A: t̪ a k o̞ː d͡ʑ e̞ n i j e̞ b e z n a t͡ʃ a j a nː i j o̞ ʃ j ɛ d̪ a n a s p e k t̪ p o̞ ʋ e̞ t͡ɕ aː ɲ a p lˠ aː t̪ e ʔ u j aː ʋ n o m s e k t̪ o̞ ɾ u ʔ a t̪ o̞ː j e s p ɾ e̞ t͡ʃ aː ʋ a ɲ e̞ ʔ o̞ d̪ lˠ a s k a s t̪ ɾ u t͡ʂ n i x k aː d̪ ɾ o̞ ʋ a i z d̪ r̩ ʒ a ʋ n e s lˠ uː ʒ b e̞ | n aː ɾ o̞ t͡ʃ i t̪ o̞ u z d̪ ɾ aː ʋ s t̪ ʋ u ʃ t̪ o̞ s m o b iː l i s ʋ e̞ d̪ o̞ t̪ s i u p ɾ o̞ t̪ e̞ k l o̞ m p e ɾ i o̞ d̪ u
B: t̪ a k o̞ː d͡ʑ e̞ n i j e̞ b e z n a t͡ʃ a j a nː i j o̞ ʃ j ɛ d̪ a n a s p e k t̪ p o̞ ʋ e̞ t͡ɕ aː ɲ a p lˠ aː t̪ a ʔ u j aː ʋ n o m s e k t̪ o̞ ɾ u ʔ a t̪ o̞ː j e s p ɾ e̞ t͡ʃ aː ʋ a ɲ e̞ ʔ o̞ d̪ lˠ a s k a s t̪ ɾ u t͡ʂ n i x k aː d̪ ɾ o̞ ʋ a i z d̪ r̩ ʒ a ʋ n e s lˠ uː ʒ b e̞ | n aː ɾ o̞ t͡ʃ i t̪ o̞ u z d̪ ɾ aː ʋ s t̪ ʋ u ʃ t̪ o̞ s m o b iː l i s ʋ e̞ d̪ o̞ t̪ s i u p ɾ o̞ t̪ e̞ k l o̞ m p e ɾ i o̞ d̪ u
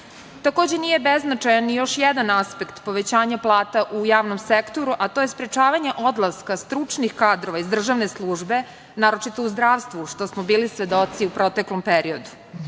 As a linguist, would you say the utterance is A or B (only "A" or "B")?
B